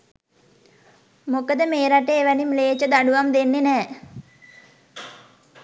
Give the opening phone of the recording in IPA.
m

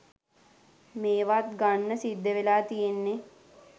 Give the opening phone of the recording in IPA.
m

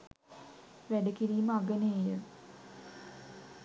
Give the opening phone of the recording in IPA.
ʋ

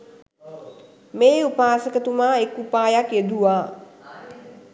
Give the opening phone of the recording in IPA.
m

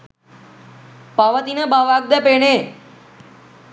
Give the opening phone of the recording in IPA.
p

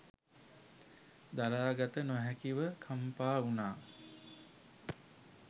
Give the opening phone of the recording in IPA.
d̪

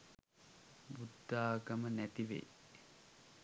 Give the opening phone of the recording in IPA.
b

